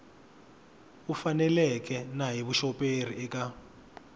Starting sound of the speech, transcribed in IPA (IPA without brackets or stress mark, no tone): u